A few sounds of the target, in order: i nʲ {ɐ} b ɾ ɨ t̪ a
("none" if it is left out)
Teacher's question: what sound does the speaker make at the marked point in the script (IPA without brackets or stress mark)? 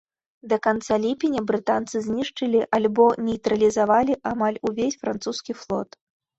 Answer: ɐ